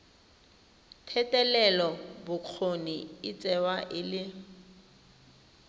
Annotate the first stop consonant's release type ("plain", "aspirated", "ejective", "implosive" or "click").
aspirated